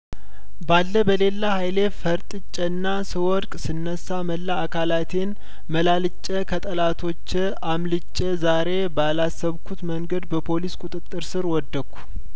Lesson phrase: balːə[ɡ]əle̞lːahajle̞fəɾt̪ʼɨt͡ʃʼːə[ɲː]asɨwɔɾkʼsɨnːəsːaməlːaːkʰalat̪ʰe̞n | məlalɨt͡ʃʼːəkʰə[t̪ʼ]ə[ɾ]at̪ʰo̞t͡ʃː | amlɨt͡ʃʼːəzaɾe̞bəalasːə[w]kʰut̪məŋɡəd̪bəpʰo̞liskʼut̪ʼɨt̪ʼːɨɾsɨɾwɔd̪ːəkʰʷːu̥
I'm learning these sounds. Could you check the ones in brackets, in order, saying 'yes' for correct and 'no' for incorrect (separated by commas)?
no, no, yes, no, no